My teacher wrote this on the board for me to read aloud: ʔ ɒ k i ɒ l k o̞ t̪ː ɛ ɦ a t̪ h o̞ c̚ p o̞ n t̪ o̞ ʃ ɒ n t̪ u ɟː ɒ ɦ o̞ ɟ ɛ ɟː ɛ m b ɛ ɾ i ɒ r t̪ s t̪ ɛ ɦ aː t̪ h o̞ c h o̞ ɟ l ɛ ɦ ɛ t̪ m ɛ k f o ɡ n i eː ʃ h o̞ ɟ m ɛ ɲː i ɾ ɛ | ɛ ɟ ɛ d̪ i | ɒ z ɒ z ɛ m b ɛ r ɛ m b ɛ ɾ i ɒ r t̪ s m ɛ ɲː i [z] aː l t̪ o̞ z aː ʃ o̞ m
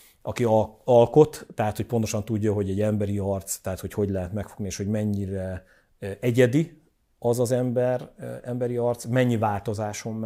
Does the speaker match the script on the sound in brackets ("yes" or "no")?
no